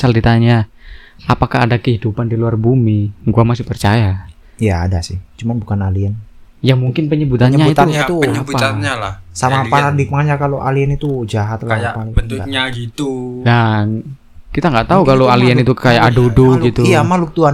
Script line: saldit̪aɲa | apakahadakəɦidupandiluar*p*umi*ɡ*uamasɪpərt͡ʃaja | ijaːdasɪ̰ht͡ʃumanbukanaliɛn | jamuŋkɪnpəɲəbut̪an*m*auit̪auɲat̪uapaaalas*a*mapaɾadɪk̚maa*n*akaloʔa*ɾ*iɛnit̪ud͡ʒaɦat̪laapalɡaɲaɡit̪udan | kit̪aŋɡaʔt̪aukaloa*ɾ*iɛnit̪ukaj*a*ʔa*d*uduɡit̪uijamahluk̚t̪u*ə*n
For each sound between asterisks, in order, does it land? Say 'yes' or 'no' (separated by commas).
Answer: no, yes, no, yes, no, no, no, yes, yes, no